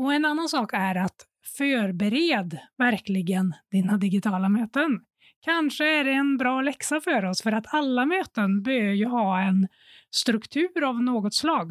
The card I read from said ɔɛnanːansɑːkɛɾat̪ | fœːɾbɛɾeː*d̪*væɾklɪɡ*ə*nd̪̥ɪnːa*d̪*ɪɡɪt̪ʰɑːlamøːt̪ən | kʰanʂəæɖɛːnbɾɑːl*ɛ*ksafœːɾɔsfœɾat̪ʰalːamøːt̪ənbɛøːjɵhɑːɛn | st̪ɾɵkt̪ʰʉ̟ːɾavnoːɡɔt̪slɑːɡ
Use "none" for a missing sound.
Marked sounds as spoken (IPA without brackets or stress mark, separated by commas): d̪, ə, d̪, ɛ